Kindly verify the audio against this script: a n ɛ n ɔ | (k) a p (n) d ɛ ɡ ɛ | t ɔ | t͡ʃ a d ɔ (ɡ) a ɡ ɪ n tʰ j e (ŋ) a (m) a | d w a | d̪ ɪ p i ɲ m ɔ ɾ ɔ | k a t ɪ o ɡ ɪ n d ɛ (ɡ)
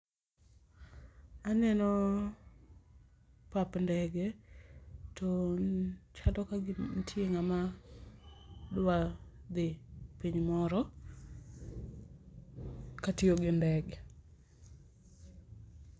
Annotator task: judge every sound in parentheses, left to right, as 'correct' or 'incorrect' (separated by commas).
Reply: incorrect, correct, incorrect, correct, correct, correct